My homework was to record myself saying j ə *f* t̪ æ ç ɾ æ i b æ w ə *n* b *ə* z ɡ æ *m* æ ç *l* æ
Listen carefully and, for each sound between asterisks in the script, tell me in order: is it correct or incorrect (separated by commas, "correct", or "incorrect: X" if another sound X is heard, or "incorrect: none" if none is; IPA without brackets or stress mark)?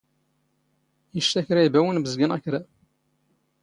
incorrect: ʃ, correct, correct, incorrect: n, incorrect: ɾ